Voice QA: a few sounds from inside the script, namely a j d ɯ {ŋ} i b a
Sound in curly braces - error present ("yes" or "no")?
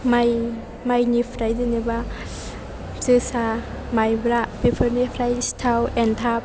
yes